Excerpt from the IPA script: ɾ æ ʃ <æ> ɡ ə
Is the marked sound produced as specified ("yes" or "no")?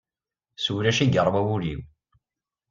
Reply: no